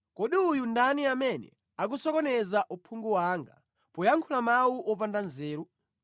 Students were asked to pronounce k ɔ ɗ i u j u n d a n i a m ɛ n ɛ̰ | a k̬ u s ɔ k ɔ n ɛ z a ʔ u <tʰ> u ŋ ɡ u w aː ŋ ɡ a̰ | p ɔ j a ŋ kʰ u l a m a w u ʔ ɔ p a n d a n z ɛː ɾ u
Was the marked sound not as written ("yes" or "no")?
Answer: yes